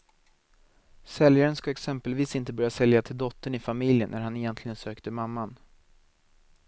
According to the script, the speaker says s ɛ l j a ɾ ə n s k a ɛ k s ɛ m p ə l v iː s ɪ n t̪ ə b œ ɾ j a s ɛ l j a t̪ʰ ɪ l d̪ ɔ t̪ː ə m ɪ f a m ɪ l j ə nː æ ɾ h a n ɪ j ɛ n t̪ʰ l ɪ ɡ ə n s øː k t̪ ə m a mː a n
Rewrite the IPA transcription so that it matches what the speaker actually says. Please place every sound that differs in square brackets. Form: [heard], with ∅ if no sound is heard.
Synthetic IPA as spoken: s ɛ l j a ɾ ə n s k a ɛ k s ɛ m p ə l v iː s ɪ n t̪ ə b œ ɾ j a s ɛ l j a t̪ʰ ɪ l d̪ ɔ t̪ː ə [ɳ] ɪ f a m ɪ l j ə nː æ ɾ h a n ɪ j ɛ n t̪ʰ l ɪ ɡ ə n s øː k t̪ ə m a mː a n